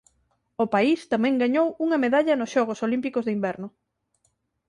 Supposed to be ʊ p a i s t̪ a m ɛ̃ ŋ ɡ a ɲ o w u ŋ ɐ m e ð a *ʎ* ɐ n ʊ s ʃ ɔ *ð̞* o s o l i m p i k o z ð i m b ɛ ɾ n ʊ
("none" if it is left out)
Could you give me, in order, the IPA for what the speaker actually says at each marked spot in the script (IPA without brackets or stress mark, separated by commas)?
ʎ, ɣ̞